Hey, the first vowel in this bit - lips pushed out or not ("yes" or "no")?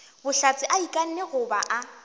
yes